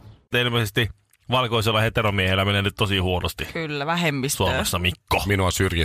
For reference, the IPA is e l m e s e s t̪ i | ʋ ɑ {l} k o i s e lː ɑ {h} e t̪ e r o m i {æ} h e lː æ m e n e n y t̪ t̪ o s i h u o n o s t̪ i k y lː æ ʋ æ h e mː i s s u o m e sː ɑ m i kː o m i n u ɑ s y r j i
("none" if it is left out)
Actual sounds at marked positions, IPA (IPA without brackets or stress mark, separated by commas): l, h, e